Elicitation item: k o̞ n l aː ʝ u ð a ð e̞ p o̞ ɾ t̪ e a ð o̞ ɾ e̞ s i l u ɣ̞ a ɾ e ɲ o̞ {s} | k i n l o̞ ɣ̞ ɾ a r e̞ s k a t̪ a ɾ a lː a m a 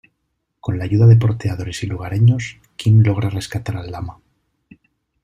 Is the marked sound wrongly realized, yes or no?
no